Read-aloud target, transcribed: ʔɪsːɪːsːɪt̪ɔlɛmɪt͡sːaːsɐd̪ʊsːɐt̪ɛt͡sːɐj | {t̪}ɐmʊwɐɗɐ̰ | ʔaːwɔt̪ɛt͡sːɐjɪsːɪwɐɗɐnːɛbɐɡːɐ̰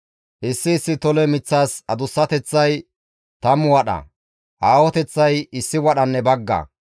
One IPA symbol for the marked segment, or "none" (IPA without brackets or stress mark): t̪